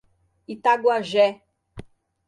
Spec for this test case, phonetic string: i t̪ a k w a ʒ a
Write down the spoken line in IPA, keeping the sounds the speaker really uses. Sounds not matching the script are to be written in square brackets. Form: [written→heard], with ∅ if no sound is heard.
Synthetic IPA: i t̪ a [k→ɡ] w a ʒ [a→ɛ]